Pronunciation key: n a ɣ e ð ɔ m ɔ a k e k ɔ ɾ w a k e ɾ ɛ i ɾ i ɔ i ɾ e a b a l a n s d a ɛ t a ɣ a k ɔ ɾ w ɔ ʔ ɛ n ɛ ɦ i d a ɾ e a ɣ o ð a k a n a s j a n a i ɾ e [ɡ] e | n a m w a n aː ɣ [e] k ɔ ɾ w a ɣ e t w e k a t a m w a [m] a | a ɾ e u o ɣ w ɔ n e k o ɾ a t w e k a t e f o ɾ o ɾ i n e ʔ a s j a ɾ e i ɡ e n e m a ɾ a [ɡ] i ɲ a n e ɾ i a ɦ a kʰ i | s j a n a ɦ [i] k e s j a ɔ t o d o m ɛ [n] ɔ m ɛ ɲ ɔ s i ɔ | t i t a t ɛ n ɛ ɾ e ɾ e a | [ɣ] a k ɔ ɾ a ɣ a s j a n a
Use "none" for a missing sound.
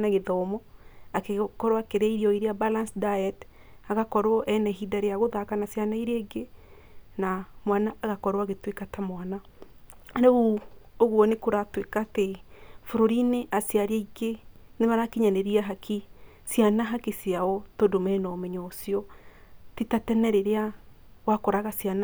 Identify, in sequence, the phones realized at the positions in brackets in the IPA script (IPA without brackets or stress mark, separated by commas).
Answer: ɡ, a, n, k, a, n, w